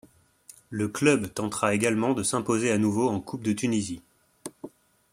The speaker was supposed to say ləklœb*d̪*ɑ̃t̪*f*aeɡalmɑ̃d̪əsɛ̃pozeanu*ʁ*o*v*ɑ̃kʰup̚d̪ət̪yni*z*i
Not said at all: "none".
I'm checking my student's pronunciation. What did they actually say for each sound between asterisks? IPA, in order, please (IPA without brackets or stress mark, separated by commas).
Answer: t̪, χ, v, none, z